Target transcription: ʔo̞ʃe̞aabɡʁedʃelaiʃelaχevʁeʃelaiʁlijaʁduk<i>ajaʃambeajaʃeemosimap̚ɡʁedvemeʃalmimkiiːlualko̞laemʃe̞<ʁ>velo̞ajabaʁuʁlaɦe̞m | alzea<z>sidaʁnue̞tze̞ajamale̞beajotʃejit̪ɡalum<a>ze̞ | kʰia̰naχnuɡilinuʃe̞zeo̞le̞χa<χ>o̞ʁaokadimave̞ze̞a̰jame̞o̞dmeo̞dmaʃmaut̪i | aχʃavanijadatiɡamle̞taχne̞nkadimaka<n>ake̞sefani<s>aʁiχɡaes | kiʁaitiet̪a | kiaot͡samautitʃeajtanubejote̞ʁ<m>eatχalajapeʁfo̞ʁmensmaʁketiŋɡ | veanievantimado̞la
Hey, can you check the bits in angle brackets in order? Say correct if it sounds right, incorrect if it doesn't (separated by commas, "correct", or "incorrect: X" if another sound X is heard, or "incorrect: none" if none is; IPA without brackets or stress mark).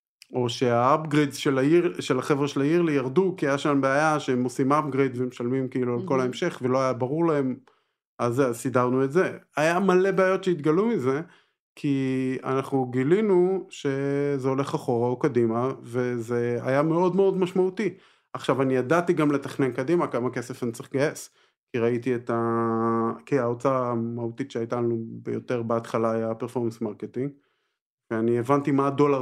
correct, incorrect: χ, correct, incorrect: i, correct, incorrect: m, incorrect: t͡s, incorrect: b